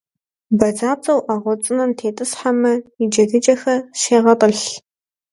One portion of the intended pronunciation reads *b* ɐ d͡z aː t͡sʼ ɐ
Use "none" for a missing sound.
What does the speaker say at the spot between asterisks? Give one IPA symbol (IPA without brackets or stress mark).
b